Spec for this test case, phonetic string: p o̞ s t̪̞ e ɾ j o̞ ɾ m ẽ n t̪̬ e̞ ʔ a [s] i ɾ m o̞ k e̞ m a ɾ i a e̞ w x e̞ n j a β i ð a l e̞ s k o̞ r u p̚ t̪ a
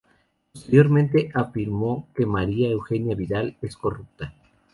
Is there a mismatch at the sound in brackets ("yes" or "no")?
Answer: yes